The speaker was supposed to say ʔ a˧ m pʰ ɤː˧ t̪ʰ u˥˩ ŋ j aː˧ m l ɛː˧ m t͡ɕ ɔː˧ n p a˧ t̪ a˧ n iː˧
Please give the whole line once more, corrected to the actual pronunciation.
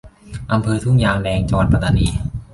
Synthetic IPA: ʔ a˧ m pʰ ɤː˧ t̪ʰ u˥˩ ŋ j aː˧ ŋ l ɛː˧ ŋ t͡ɕ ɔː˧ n p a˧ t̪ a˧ n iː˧